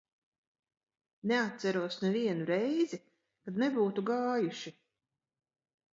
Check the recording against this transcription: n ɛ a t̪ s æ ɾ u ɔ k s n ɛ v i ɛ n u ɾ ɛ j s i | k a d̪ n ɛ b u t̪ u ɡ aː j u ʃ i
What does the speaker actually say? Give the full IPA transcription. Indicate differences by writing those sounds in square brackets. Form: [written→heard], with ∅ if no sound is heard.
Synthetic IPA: n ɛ a t̪ s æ ɾ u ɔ [k→∅] s n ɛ v i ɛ n u ɾ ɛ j [s→z] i | k a d̪ n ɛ b [u→uː] t̪ u ɡ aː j u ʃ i